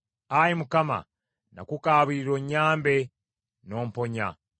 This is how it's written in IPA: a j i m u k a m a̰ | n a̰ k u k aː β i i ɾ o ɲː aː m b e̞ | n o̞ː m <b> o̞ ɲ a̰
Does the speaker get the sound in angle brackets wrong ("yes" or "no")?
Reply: yes